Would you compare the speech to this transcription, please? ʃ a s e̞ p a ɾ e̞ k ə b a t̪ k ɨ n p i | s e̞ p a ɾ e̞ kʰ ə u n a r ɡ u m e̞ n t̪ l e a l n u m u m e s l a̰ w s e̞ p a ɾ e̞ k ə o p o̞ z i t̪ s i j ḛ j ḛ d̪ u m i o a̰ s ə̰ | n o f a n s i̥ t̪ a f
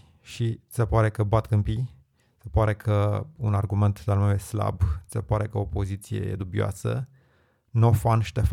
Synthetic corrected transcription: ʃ i s e̞ p a ɾ e̞ k ə b a t̪ k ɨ m p i | s e̞ p a ɾ e̞ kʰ ə u n a r ɡ u m e̞ n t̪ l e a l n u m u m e s l a̰ b s e̞ p a ɾ e̞ k ə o p o̞ z i t̪ s i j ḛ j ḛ d̪ u b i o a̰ s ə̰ | n o f a n ʃ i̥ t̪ e f